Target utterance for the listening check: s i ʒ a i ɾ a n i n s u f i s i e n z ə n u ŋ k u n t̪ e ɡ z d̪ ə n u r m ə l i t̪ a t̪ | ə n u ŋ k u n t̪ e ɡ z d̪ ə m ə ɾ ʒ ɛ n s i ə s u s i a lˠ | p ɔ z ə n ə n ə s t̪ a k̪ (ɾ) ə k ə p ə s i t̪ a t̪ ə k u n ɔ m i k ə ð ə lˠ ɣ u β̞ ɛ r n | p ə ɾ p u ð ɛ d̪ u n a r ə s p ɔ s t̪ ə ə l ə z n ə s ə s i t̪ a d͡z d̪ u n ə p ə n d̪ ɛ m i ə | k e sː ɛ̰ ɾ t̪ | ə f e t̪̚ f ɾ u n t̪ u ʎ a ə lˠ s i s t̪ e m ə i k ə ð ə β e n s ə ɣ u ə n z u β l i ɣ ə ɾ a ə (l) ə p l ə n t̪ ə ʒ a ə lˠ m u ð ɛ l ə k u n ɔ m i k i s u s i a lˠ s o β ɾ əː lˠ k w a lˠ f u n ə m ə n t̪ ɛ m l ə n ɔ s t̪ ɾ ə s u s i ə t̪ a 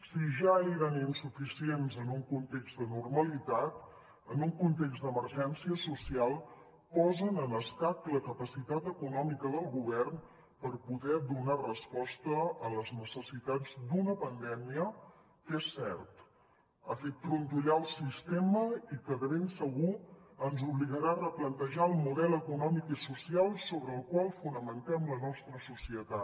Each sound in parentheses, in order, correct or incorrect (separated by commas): incorrect, incorrect